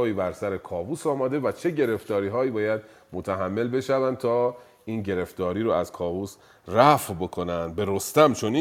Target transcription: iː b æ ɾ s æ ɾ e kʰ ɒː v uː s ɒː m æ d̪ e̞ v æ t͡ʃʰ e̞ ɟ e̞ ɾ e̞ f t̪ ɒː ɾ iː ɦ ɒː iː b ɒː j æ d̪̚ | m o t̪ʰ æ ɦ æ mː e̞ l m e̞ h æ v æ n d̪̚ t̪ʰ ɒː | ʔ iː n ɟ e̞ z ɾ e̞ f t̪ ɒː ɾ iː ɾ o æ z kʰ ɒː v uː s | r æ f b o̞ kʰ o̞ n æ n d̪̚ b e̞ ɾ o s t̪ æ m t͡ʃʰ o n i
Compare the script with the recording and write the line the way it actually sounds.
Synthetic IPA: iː b æ ɾ s æ ɾ e kʰ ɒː v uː s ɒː m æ d̪ e̞ v æ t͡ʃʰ e̞ ɟ e̞ ɾ e̞ f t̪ ɒː ɾ iː ɦ ɒː iː b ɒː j æ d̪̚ | m o t̪ʰ æ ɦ æ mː e̞ l b e̞ ʃ æ v æ n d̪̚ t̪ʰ ɒː | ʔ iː n ɟ e̞ ɾ e̞ f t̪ ɒː ɾ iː ɾ o æ z kʰ ɒː v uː s | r æ f b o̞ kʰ o̞ n æ n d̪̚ b e̞ ɾ o s t̪ æ m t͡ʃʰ o n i